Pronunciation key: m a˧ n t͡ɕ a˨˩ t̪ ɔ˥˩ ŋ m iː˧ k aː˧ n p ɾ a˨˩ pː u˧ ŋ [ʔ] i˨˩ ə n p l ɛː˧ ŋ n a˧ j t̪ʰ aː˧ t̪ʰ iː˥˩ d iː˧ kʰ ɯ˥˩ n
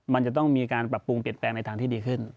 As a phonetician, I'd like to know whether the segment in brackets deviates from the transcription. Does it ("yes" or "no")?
yes